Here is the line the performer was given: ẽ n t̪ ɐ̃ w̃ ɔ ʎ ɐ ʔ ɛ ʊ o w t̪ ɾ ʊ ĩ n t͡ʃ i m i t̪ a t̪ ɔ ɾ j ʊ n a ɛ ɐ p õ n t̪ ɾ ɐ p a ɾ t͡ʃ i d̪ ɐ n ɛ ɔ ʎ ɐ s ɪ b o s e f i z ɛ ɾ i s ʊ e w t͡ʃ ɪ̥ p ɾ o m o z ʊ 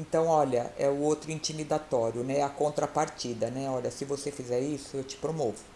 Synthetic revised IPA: ẽ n t̪ ɐ̃ w̃ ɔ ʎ ɐ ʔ ɛ ʊ o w t̪ ɾ ʊ ĩ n t͡ʃ i m i d̪ a t̪ ɔ ɾ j ʊ n ɛ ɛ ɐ k õ n t̪ ɾ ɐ p a ɾ t͡ʃ i d̪ ɐ n ɛ ɔ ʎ ɐ s ɪ v o s e f i z ɛ ɾ i s ʊ e w t͡ʃ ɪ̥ p ɾ o m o v ʊ

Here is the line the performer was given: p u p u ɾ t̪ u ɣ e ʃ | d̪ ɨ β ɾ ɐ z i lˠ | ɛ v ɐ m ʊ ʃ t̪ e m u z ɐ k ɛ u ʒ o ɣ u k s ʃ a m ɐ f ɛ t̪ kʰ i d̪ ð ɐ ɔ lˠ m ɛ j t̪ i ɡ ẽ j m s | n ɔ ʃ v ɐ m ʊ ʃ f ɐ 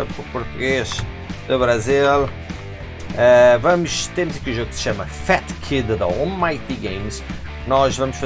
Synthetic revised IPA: p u p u ɾ t̪ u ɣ e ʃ | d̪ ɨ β ɾ ɐ z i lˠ | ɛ v ɐ m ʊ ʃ t̪ e m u z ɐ k i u ʒ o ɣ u k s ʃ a m ɐ f ɛ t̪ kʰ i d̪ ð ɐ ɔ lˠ m a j t̪ i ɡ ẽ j m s | n ɔ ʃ v ɐ m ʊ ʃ f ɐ

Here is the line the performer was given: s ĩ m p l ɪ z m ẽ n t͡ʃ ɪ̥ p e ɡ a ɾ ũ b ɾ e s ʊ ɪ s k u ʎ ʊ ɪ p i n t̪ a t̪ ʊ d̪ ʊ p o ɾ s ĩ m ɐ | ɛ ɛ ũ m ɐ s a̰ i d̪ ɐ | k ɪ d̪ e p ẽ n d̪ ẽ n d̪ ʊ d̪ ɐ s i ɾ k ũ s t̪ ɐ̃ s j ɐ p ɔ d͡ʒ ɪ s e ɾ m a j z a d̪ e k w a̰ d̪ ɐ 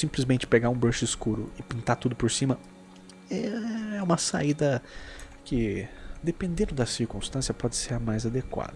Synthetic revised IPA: s ĩ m p l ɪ z m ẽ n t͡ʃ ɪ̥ p e ɡ a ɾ ũ b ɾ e ʃ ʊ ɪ s k u ɾ ʊ ɪ p ĩ n t̪ a t̪ u d̪ ʊ p o ɾ s ĩ m ɐ | ɛ ɛ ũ m ɐ s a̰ i d̪ ɐ | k ɪ d̪ e p ẽ n d̪ ẽ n d̪ ʊ d̪ ɐ s i ɾ k ũ s t̪ ɐ̃ s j ɐ p ɔ d͡ʒ ɪ s e ɾ m a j z a d̪ e k w a̰ d̪ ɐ

